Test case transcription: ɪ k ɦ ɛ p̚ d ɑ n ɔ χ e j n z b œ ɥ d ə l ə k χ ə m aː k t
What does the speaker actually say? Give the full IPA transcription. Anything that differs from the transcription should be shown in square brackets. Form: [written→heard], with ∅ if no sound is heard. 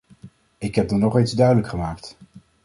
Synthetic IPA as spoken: ɪ k ɦ ɛ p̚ d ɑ n ɔ χ e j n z [b→d] œ ɥ d ə l ə k χ ə m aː k t